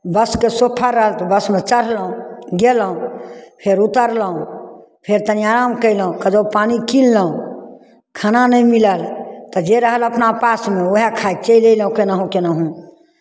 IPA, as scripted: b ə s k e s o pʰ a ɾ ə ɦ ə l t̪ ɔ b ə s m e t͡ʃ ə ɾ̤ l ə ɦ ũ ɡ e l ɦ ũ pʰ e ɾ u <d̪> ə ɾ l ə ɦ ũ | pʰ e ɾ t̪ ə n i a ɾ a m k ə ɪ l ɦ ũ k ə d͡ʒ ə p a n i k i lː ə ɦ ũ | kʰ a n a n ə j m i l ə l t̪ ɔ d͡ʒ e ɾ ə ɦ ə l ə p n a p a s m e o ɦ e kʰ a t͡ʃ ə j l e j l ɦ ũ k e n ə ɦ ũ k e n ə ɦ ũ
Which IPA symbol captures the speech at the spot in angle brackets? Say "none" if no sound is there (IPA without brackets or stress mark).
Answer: t̪